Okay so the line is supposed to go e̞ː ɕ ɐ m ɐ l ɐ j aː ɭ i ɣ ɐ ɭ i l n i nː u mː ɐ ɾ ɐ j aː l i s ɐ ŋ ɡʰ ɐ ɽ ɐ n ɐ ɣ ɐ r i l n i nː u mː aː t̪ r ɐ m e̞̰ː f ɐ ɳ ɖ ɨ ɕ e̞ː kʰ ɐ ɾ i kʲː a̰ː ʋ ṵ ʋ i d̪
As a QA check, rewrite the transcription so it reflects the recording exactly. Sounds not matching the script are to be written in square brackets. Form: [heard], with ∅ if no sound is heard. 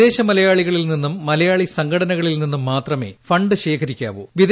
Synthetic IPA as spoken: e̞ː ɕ ɐ m ɐ l ɐ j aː ɭ i ɣ ɐ ɭ i l n i nː u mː ɐ [l] ɐ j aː [ɭ] i s ɐ ŋ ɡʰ ɐ ɽ ɐ n ɐ ɣ ɐ [ɭ] i l n i nː u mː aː t̪ r ɐ m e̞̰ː f ɐ ɳ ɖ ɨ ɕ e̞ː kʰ ɐ ɾ i kʲː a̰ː ʋ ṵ ʋ i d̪